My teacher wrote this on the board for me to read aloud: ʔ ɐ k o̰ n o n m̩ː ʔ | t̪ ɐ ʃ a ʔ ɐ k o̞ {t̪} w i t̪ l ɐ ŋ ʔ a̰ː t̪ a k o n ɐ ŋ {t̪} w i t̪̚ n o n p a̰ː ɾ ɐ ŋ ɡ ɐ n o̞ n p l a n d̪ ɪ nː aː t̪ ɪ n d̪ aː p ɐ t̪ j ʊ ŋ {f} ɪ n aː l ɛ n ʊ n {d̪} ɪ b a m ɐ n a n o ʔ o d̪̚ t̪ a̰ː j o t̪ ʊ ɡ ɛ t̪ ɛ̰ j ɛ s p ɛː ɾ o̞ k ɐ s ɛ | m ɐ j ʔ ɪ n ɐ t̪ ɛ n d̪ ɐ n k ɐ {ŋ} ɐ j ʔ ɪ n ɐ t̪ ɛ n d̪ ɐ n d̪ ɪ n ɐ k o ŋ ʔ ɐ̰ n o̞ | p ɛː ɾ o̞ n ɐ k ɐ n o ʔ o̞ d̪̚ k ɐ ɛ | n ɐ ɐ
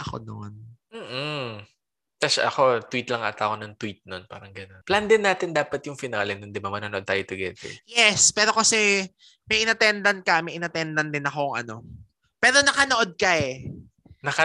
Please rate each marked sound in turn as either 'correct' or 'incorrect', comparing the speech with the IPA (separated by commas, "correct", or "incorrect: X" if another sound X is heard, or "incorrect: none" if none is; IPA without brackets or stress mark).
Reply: correct, correct, correct, correct, incorrect: m